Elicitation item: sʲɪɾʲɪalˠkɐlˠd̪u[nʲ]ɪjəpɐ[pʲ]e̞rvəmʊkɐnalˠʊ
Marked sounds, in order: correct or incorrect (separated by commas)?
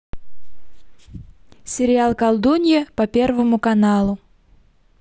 correct, correct